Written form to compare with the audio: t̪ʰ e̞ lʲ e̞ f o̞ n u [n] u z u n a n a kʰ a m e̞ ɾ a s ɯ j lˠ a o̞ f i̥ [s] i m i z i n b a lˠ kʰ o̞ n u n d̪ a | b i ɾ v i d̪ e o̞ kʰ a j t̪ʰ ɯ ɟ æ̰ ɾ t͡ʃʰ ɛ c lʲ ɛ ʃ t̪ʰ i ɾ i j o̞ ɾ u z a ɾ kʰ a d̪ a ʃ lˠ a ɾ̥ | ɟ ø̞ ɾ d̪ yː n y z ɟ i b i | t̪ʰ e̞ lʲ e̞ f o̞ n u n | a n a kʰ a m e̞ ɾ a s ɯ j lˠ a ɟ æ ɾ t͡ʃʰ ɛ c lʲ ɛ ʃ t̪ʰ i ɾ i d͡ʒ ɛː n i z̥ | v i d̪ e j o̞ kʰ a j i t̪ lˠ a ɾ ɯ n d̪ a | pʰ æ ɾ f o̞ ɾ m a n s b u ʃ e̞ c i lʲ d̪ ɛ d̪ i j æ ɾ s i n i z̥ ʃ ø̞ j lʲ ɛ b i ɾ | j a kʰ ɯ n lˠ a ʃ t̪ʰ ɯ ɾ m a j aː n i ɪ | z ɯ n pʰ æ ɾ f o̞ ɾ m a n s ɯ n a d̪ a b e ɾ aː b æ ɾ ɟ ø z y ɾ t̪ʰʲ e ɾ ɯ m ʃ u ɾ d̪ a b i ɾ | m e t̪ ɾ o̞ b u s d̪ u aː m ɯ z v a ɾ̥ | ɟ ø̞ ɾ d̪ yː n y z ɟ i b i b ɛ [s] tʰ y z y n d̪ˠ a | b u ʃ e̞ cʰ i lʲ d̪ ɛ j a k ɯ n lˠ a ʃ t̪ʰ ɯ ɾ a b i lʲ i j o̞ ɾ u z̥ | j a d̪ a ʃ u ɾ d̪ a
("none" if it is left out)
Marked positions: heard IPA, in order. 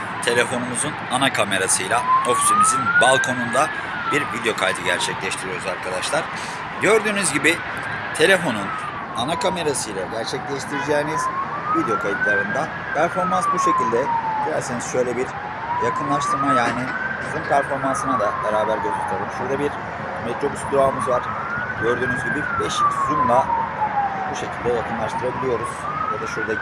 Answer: m, s, ʃ

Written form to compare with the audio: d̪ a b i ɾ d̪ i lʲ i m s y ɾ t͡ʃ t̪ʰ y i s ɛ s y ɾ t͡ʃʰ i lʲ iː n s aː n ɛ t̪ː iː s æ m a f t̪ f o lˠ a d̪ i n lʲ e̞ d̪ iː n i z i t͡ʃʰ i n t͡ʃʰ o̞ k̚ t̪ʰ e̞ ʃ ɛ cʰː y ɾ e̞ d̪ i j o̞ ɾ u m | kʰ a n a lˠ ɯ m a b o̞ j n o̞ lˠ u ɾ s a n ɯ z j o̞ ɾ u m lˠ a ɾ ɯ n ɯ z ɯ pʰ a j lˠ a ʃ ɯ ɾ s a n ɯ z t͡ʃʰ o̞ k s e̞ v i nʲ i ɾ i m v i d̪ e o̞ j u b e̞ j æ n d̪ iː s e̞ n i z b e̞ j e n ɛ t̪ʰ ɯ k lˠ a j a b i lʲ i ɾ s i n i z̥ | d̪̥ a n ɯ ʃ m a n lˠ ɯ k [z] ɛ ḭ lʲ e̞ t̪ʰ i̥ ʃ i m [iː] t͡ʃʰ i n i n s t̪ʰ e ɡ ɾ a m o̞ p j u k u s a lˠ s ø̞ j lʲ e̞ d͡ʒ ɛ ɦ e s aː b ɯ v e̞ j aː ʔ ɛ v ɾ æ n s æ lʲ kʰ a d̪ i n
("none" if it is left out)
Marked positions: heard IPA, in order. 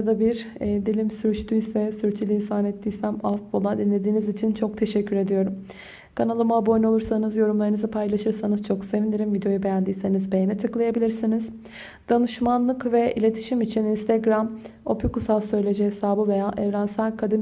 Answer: v, i

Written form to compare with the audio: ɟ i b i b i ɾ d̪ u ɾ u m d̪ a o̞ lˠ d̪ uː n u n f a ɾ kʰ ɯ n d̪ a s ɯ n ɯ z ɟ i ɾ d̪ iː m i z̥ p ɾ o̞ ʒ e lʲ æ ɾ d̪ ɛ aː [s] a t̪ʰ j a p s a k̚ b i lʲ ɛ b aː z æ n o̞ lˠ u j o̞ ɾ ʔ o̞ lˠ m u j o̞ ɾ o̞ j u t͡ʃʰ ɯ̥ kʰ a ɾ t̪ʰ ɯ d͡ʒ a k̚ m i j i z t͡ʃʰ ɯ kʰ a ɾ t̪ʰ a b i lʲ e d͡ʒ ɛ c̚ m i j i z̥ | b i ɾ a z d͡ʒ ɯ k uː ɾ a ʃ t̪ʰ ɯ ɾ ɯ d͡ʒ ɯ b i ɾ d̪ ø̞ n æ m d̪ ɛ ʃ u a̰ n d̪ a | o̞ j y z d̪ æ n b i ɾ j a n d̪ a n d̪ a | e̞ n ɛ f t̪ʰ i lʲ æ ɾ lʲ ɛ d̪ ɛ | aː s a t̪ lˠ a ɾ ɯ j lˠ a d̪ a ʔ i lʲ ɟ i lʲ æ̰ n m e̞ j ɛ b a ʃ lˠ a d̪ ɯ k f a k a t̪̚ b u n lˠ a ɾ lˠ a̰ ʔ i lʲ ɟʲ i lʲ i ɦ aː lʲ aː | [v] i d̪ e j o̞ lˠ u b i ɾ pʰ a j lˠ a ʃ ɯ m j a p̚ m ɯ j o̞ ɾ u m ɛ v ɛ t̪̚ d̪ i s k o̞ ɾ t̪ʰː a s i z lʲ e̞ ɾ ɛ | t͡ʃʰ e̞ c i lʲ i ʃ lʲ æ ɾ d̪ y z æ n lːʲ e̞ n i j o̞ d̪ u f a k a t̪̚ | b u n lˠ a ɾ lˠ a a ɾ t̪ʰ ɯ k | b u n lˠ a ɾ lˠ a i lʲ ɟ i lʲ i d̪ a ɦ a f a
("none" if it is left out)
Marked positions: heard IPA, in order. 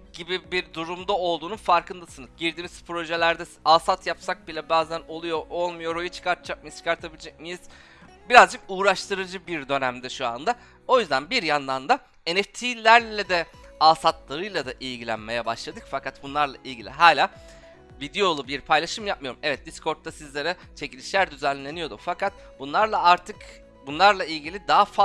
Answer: s, v

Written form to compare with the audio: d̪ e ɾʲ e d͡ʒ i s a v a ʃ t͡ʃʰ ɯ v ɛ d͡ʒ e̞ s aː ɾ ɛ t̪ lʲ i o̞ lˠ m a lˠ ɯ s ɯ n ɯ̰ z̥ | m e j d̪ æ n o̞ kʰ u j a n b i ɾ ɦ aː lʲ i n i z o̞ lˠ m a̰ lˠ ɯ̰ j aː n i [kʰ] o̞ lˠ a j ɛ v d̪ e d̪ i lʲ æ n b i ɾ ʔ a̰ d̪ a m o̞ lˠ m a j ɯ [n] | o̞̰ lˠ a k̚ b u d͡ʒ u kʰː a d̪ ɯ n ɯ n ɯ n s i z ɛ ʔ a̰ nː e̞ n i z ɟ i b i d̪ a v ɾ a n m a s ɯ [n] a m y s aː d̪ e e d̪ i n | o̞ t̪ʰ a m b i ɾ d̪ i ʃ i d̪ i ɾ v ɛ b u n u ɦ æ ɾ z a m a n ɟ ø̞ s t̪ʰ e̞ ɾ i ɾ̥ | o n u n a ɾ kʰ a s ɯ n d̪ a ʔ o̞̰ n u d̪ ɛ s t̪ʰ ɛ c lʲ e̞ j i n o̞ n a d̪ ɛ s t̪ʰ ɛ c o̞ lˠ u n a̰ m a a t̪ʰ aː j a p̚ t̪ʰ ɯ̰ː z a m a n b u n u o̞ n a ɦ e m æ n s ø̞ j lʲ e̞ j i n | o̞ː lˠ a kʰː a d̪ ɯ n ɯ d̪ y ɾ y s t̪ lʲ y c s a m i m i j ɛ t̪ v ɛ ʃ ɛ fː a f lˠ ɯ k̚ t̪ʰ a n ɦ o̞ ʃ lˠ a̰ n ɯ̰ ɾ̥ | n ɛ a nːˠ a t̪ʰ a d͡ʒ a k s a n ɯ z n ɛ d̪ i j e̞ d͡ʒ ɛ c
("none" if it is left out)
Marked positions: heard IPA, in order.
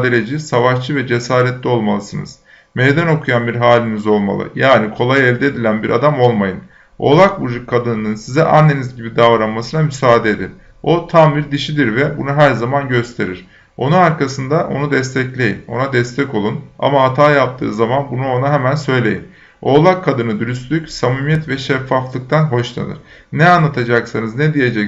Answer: kʰ, n, n

